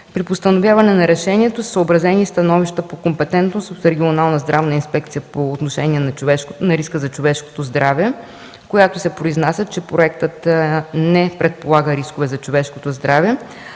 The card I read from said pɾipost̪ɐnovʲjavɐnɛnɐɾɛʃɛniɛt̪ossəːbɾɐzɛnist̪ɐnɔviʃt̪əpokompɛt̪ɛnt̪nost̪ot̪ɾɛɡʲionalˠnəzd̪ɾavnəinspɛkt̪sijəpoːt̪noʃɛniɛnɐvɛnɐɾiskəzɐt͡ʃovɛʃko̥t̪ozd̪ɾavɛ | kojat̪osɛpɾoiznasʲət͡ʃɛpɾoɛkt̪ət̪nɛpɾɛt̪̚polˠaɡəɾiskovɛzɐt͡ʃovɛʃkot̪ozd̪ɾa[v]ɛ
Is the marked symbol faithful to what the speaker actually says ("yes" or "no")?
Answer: yes